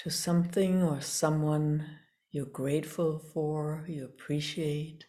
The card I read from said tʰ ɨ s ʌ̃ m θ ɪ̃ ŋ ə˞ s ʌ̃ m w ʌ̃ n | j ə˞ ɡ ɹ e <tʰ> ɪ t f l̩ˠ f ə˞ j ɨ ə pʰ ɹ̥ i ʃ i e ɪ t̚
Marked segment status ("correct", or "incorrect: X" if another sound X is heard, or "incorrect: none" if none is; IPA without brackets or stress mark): incorrect: none